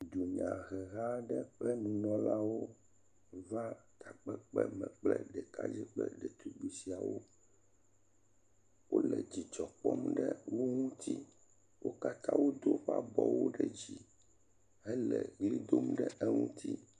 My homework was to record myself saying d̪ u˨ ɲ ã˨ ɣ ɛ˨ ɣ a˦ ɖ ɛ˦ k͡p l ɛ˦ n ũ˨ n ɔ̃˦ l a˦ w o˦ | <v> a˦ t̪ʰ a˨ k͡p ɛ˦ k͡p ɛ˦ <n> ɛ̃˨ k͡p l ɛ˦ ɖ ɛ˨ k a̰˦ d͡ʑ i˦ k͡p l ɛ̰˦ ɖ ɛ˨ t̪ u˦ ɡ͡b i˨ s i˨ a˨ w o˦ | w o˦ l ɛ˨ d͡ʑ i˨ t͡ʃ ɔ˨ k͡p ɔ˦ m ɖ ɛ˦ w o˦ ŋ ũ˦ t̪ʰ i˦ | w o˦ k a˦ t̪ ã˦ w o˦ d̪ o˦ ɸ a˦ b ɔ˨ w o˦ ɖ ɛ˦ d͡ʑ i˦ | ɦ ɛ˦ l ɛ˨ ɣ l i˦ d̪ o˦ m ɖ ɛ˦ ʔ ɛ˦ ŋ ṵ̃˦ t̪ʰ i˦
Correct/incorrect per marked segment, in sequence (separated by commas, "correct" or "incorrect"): correct, incorrect